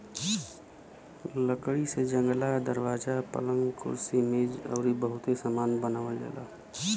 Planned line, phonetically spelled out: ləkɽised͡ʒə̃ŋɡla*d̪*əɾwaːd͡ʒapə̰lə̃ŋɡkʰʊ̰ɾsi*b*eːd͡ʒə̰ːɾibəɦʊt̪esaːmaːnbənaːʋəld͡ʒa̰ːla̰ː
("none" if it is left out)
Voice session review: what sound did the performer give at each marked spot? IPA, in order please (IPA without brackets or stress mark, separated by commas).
d̪, m